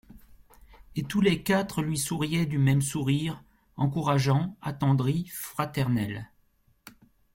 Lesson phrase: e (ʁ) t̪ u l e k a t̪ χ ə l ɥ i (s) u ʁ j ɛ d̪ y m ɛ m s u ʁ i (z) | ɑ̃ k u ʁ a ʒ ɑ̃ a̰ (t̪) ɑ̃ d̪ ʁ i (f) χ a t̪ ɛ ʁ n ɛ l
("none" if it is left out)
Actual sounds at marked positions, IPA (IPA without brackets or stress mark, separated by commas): none, s, ʁ, t̪, f